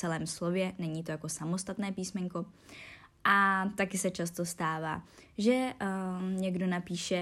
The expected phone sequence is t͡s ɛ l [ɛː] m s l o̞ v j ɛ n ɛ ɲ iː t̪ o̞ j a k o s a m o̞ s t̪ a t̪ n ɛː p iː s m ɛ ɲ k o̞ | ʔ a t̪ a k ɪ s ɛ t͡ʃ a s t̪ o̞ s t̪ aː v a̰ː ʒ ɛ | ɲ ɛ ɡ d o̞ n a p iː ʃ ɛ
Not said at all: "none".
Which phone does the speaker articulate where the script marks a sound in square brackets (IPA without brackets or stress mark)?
ɛː